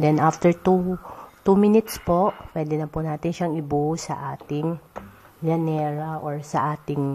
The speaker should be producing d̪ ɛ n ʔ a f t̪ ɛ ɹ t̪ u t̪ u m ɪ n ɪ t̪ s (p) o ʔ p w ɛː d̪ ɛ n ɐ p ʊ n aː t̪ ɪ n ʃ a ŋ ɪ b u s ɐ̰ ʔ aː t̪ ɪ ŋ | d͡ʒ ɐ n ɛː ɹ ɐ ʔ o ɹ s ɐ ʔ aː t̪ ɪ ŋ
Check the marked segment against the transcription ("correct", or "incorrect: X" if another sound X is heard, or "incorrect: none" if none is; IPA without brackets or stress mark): correct